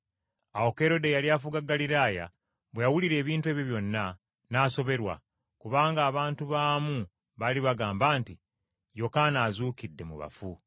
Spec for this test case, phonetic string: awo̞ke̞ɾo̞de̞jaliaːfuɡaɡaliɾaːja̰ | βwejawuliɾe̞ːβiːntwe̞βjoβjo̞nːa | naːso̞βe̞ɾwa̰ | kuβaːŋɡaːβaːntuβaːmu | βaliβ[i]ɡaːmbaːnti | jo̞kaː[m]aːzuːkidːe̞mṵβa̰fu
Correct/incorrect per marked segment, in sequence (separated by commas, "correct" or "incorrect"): incorrect, incorrect